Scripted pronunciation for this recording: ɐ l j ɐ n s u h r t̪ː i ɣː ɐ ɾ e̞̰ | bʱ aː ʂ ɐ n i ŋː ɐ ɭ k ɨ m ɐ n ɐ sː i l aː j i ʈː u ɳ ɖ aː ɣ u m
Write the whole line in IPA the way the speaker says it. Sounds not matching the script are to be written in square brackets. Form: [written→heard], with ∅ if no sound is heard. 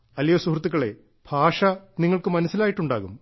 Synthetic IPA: ɐ l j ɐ [n→∅] s u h r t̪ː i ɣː ɐ [ɾ→ɭ] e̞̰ | bʱ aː ʂ ɐ n i ŋː ɐ ɭ k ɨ m ɐ n ɐ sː i l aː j i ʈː u ɳ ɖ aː ɣ u m